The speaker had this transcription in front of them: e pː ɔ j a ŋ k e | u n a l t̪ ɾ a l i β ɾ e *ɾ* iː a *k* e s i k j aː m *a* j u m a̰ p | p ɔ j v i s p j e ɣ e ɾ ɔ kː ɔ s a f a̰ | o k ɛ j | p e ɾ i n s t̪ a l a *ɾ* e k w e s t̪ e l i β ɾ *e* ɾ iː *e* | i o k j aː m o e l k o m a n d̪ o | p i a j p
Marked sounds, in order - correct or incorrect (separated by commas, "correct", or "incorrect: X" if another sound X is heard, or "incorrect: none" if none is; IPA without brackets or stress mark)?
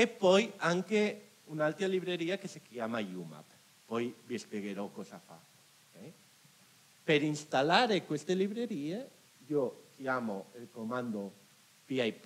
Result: correct, correct, correct, correct, correct, correct